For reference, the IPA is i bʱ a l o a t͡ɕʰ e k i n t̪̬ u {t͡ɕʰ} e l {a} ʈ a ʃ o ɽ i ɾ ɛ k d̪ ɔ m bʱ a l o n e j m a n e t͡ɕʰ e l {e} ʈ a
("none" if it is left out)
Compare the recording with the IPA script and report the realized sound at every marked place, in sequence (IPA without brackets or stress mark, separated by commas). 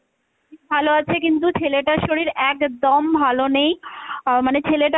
t͡ɕʰ, e, e